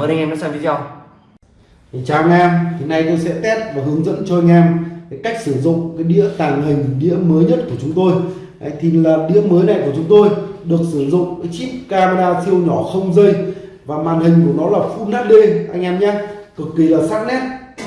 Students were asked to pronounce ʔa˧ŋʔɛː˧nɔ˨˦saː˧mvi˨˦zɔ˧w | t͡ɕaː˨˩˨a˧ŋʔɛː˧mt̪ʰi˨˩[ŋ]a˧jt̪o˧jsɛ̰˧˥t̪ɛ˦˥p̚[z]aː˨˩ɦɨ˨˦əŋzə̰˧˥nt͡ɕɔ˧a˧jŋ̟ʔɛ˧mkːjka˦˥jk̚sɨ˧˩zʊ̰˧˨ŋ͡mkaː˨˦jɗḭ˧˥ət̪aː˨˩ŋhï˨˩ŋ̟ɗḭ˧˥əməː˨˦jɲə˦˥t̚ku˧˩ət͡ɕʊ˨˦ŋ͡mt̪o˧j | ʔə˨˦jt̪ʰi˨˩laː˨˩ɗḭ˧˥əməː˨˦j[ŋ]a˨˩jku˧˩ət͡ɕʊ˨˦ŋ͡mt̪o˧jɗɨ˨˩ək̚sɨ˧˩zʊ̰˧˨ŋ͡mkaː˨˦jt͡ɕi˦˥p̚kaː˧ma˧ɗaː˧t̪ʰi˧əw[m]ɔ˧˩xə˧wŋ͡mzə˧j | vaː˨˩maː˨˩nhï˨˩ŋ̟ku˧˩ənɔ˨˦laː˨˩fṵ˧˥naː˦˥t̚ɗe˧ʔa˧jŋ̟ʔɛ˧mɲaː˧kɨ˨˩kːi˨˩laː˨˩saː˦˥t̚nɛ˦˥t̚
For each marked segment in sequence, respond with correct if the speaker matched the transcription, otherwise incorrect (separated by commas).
incorrect, incorrect, incorrect, incorrect